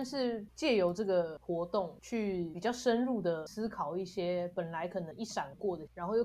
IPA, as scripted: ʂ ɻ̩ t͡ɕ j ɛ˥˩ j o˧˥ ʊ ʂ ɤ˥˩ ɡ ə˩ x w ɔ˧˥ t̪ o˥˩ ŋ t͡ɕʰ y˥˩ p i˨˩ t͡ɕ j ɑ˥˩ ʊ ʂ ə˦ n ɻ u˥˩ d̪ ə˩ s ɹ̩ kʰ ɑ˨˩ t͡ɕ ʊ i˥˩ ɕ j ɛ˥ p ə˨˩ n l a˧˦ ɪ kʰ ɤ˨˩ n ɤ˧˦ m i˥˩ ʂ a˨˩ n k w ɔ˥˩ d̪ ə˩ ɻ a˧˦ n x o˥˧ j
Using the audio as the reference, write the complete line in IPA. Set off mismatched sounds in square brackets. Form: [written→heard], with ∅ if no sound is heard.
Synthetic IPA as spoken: ʂ ɻ̩ t͡ɕ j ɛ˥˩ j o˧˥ ʊ [ʂ→ʈ͡ʂ] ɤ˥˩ ɡ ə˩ x w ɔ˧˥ t̪ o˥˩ ŋ t͡ɕʰ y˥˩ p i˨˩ t͡ɕ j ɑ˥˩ ʊ ʂ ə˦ n ɻ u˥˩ d̪ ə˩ s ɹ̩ kʰ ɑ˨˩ [t͡ɕ→∅] ʊ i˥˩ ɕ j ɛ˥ p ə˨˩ n l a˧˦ ɪ kʰ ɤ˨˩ n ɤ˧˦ [m→ŋ] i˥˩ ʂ a˨˩ n k w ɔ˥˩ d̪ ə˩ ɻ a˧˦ n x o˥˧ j